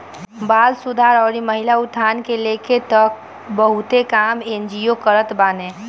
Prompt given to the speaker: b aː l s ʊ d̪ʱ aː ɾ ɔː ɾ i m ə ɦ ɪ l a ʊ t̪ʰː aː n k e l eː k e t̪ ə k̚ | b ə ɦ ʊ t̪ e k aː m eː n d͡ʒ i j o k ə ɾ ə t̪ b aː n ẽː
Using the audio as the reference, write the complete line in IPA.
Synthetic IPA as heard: b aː l s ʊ d̪ʱ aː ɾ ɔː ɾ i m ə ɦ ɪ l a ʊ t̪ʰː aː n k e l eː k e t̪ ə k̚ | b ə ɦ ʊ t̪ e k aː m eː n d͡ʒ i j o k ə ɾ ə t̪ b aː n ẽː